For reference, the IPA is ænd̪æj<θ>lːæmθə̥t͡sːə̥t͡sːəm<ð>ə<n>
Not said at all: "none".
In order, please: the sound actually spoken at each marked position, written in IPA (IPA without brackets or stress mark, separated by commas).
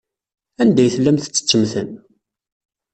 θ, θ, n